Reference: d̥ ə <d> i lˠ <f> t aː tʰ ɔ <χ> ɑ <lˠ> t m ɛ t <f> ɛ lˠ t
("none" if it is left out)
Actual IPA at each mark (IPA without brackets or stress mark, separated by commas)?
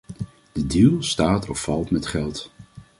d, s, f, lˠ, χ